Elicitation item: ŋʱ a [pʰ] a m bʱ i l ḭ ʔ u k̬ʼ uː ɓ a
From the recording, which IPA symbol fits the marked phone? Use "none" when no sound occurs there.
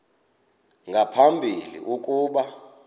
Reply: pʰ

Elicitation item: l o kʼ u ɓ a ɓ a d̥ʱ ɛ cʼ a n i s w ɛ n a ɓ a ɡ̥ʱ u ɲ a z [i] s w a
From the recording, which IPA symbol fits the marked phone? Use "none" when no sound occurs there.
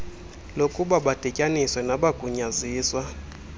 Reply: iː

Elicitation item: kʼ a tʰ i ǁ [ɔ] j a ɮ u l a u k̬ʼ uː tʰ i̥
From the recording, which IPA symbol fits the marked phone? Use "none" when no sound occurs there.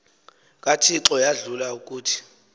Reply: ɔ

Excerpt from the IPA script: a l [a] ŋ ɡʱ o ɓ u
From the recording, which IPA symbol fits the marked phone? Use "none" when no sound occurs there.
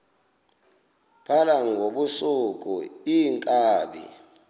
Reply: a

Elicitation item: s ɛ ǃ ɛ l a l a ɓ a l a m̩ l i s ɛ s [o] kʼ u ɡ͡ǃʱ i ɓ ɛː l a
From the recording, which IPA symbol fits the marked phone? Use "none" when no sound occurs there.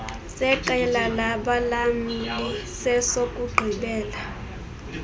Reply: o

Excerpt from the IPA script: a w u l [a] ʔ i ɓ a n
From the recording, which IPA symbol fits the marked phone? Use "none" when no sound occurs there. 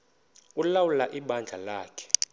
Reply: a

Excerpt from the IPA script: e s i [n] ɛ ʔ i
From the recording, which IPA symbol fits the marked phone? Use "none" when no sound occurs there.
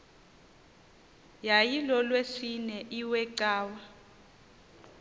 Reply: n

